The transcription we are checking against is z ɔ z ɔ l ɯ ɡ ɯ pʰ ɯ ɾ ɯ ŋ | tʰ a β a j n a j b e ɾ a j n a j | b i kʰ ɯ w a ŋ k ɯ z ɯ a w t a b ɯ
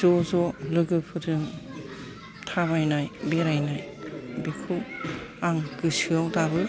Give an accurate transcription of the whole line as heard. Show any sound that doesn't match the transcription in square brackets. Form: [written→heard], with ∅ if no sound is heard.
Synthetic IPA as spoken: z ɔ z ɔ l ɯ ɡ ɯ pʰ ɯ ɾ ɯ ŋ | tʰ a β a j n a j b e ɾ a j n a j | b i kʰ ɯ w a ŋ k ɯ [z→s] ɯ a w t a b ɯ